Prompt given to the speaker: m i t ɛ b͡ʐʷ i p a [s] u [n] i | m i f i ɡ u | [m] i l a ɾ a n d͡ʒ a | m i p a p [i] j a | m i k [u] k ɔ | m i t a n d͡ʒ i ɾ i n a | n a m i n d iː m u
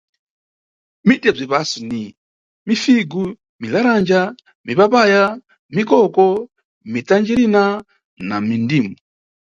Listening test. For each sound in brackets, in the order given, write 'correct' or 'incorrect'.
correct, correct, correct, incorrect: a, incorrect: ɔ

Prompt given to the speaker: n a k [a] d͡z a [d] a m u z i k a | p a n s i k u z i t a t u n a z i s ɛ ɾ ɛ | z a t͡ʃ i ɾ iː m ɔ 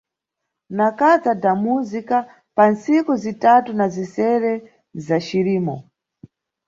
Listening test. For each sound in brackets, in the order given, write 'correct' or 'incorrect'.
correct, correct

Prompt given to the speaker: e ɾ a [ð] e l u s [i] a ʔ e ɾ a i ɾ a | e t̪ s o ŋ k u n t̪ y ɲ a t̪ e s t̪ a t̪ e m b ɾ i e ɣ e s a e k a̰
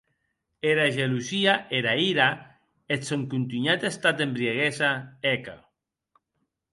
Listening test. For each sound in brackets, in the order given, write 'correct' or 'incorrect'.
incorrect: ʒ, correct

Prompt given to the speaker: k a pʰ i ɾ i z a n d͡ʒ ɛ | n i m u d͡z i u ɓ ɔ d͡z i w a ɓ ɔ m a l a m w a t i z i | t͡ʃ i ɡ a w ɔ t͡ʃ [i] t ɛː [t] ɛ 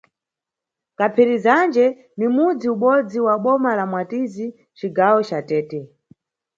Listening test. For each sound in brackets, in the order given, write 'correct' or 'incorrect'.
incorrect: a, correct

